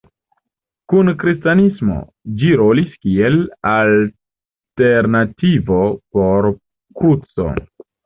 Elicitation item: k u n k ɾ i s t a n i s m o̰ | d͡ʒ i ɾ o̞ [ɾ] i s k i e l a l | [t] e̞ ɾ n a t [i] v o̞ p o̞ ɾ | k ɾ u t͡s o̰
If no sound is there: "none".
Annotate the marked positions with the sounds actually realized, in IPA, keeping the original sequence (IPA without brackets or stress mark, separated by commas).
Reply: l, t, i